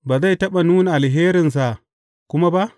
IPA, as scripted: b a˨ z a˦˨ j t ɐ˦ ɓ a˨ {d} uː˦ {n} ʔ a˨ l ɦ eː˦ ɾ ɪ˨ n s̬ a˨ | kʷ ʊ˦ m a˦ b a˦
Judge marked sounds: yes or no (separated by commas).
no, yes